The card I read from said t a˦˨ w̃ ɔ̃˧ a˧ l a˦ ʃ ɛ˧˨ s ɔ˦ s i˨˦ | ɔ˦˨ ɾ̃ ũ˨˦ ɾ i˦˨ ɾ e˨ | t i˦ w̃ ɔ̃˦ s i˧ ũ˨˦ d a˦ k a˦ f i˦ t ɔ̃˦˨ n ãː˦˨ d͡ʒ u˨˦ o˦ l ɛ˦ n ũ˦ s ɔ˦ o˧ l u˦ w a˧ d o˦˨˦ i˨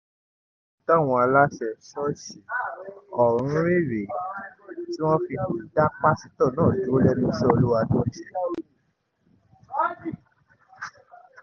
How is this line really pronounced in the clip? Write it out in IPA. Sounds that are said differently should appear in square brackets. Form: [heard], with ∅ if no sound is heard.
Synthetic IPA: t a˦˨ w̃ ɔ̃˧ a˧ l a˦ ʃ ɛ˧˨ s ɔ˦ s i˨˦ | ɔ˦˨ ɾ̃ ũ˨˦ ɾ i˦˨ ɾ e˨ | t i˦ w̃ ɔ̃˦ [f] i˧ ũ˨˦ d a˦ [k͡p] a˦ [s] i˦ t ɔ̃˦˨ n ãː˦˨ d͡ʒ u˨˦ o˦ l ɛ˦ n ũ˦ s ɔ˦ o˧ l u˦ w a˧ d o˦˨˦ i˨